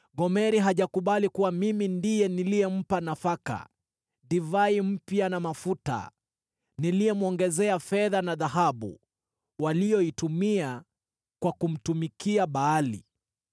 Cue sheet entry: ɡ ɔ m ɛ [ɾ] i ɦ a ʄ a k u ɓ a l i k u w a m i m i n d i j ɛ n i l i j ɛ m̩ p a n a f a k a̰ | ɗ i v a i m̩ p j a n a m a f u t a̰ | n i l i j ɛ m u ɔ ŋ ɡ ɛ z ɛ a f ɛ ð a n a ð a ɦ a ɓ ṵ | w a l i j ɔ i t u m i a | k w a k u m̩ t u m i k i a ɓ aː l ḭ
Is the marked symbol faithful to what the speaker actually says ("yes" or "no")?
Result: yes